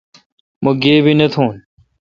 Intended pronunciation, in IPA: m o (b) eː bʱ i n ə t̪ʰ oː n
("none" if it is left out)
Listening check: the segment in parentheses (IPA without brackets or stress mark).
ɡ